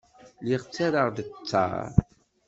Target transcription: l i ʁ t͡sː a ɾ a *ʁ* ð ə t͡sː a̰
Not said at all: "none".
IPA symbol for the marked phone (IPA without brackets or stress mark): ʁ